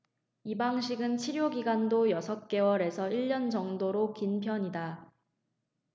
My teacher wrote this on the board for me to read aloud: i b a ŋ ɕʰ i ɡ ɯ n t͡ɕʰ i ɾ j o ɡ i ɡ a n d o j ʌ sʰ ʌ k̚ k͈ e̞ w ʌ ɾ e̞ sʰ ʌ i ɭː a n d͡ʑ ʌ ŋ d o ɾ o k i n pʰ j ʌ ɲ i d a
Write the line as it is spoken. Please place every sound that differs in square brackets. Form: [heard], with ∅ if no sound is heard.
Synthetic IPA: i b a ŋ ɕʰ i ɡ ɯ n t͡ɕʰ i ɾ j o ɡ i ɡ a n d o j ʌ sʰ ʌ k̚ k͈ e̞ w ʌ ɾ e̞ sʰ ʌ i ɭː [ʌ] n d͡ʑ ʌ ŋ d o ɾ o k i n pʰ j ʌ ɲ i d a